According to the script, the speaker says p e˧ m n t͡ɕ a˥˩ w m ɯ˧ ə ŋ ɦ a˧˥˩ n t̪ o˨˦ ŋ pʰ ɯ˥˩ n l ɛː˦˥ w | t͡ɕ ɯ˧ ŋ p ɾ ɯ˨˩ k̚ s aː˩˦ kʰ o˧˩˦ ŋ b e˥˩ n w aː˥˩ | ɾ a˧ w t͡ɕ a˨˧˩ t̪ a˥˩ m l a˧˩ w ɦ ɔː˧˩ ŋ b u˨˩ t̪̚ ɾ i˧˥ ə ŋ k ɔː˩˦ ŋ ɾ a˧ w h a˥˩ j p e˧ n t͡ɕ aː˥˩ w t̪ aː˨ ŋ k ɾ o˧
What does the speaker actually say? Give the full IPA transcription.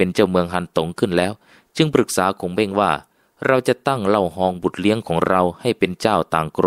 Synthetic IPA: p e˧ n t͡ɕ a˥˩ w m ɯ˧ ə ŋ ɦ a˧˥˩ n t̪ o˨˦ ŋ kʰ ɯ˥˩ n l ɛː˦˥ w | t͡ɕ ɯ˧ ŋ p ɾ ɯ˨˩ k̚ s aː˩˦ kʰ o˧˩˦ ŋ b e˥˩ ŋ w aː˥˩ | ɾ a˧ w t͡ɕ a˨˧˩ t̪ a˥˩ ŋ l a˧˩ w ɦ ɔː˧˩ ŋ b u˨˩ t̪̚ l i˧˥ ə ŋ kʰ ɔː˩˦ ŋ ɾ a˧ w h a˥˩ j p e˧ n t͡ɕ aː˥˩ w t̪ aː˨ ŋ k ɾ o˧